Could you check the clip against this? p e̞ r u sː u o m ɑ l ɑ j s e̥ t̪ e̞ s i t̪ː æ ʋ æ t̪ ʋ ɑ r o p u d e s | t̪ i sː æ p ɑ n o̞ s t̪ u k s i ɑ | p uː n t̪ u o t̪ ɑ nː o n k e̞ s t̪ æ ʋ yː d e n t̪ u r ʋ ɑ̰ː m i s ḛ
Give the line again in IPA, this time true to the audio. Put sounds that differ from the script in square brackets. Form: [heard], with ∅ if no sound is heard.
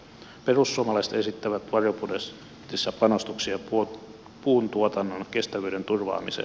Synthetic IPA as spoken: p e̞ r u sː u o m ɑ l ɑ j s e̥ t̪ e̞ s i t̪ː æ ʋ æ t̪ ʋ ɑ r o p u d e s | t̪ i sː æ p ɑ n o̞ s t̪ u k s i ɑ | p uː n t̪ u o t̪ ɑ nː o n k e̞ s t̪ æ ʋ yː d e n t̪ u r ʋ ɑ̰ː m i s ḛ